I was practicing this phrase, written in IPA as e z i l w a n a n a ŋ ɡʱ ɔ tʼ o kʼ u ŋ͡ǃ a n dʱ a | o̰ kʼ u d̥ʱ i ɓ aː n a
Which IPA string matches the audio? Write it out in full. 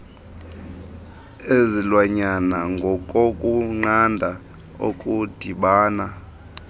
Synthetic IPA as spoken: e z i l w a ɲ a n a ŋ ɡʱ ɔ kʼ o kʼ u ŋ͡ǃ a n dʱ a | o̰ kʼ u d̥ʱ i ɓ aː n a